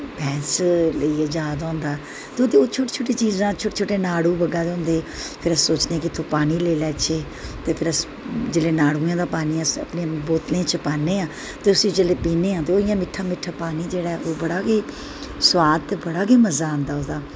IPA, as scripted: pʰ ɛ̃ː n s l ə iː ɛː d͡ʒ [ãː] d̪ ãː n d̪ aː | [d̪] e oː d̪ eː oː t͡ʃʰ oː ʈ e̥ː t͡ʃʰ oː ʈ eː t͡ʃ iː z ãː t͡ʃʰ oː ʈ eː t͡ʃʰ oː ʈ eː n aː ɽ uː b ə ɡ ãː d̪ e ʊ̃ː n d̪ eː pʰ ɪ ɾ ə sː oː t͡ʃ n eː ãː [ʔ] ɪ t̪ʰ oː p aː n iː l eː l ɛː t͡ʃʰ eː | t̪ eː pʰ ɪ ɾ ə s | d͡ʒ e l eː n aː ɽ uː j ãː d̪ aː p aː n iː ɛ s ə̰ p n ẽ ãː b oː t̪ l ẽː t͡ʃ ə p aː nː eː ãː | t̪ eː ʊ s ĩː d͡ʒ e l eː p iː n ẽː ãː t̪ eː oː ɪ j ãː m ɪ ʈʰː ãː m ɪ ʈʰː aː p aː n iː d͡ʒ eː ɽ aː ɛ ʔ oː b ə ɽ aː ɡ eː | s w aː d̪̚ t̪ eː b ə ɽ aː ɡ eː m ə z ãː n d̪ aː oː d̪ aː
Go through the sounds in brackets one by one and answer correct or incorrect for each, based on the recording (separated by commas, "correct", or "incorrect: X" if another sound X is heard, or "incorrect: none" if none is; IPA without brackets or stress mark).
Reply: incorrect: aː, incorrect: t̪, incorrect: k